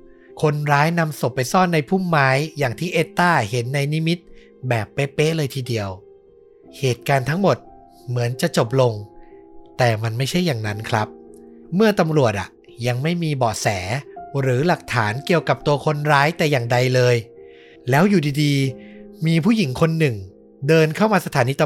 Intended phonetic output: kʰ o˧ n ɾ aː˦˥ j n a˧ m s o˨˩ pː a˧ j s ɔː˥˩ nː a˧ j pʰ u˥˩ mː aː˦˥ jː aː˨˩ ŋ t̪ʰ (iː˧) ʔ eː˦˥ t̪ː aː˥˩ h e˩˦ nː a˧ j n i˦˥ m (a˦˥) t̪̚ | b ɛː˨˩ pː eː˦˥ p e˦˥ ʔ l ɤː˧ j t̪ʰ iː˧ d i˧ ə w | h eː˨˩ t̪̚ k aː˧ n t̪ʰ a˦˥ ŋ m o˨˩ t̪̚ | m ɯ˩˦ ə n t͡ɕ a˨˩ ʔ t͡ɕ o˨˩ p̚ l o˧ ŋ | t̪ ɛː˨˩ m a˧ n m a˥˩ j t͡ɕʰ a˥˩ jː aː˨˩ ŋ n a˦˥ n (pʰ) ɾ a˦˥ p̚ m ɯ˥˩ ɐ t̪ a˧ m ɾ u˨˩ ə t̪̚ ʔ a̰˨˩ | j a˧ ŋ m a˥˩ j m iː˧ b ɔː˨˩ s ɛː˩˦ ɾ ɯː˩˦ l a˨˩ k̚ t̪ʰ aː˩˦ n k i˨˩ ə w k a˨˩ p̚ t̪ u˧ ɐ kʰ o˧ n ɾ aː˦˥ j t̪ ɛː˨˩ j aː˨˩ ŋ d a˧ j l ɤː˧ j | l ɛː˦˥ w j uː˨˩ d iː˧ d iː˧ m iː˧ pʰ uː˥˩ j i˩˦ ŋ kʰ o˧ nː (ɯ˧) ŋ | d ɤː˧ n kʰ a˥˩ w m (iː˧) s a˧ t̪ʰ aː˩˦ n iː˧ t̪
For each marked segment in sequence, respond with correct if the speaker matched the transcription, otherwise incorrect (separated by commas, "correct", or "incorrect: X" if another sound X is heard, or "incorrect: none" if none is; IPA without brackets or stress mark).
incorrect: iː˥˩, incorrect: i˦˥, incorrect: kʰ, incorrect: ɯ˨˩, incorrect: aː˧